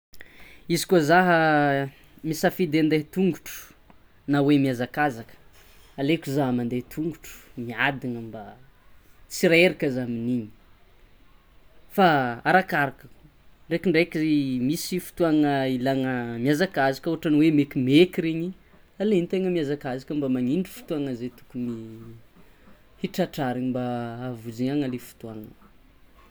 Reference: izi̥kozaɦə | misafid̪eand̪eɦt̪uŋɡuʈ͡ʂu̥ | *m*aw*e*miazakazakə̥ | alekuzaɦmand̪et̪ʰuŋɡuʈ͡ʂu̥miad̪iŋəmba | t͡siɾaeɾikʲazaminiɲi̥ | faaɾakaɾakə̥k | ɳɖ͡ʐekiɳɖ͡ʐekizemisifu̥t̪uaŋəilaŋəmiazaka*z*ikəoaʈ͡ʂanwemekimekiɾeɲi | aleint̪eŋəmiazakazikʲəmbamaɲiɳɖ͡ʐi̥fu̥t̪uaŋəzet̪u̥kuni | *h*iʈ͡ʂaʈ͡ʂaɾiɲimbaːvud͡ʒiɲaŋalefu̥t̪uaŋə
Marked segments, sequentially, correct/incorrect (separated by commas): incorrect, correct, correct, correct